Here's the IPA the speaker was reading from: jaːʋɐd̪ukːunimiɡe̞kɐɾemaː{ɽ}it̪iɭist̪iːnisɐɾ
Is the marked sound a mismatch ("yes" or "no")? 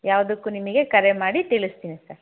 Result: no